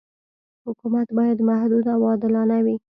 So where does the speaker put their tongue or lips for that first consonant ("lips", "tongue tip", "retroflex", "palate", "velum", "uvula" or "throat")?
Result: throat